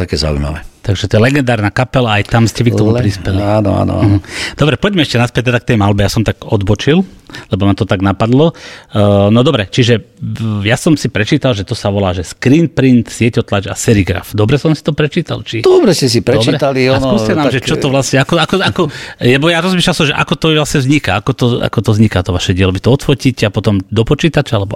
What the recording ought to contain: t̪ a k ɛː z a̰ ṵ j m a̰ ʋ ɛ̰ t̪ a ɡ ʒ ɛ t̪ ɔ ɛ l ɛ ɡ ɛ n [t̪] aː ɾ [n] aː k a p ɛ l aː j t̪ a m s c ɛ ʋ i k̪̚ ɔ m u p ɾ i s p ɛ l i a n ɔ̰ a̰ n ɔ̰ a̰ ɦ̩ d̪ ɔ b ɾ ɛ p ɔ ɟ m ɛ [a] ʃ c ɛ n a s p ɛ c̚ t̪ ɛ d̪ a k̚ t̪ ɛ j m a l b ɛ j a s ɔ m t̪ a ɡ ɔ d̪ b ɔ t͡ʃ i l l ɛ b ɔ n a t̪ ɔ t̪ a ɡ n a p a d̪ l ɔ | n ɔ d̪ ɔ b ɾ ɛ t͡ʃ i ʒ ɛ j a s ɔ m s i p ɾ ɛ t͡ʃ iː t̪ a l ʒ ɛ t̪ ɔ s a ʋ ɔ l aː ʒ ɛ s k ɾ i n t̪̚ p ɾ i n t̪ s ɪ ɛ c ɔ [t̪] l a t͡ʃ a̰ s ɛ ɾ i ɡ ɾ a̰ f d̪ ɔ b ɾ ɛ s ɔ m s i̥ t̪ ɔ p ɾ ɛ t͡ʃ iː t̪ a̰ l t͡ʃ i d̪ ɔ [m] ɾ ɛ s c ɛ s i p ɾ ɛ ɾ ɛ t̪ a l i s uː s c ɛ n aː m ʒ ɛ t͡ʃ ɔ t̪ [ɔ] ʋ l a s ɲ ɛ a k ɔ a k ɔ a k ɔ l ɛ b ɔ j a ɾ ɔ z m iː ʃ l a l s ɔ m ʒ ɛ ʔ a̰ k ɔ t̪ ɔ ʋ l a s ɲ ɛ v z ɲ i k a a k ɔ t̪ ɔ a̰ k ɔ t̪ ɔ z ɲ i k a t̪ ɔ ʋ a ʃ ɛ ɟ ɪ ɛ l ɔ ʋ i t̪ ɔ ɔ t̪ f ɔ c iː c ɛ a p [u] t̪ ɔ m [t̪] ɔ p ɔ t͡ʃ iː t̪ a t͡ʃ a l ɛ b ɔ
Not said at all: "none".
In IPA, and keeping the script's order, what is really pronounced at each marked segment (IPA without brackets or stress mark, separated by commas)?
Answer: d̪, n, ɛ, t̪, b, ɔ, ɔ, d̪